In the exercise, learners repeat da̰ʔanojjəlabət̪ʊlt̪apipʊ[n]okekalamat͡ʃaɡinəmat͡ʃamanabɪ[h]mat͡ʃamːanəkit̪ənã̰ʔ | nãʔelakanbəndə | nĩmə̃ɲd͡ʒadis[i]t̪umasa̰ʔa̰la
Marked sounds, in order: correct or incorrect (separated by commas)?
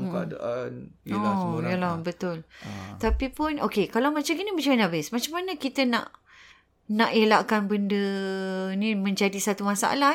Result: correct, incorrect, incorrect